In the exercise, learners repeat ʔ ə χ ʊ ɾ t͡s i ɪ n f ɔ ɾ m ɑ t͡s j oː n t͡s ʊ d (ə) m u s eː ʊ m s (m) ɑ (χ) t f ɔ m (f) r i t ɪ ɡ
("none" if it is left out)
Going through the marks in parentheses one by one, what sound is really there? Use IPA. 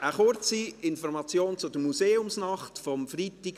ə, n, χ, f

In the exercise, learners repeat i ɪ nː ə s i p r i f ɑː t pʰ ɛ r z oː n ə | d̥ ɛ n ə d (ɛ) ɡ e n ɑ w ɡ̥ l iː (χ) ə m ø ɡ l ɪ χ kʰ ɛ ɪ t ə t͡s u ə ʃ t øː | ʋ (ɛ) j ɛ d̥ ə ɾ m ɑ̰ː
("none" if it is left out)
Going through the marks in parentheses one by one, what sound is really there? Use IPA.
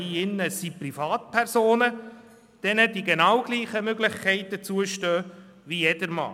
i, χ, i

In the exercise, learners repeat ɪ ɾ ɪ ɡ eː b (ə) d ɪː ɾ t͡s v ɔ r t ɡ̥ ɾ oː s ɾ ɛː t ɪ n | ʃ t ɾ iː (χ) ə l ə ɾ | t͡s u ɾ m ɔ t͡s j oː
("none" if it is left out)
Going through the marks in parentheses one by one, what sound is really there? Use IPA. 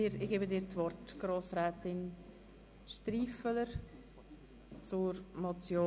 ə, f

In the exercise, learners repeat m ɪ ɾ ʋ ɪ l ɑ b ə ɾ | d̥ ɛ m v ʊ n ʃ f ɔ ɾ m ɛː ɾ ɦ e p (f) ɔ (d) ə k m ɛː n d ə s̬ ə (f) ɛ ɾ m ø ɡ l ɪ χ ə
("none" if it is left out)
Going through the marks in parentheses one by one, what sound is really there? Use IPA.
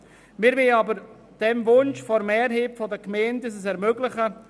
f, d, s

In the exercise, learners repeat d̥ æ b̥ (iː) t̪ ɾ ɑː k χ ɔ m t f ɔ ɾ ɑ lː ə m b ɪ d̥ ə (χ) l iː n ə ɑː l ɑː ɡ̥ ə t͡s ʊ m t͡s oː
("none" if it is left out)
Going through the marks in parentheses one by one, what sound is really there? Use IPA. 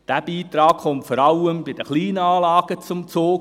iː, χ

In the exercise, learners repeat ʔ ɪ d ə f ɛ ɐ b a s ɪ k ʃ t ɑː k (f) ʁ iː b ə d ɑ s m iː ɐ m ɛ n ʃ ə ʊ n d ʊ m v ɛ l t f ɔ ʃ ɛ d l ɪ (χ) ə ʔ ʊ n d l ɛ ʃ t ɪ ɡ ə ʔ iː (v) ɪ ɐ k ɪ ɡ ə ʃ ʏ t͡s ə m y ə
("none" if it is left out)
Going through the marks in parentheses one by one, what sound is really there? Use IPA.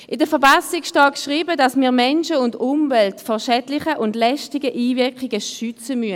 ʃ, χ, v

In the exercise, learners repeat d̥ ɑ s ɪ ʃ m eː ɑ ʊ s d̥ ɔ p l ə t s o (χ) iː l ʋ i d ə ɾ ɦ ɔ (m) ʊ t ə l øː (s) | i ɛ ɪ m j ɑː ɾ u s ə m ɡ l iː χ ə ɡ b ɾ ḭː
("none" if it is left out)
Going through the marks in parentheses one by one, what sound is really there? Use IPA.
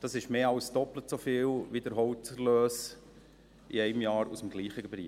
f, none, s

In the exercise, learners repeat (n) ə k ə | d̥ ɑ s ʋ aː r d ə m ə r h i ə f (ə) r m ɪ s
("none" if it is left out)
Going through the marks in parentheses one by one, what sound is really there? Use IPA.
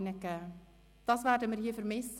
n, ə

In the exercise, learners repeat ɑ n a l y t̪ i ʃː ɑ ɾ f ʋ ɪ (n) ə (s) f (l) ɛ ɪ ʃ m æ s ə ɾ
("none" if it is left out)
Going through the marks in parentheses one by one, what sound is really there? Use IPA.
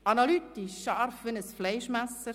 n, s, l

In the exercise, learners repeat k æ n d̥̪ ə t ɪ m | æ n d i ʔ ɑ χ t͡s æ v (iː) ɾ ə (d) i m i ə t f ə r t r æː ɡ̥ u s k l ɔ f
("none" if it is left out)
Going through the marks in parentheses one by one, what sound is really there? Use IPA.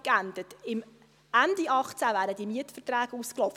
æː, d

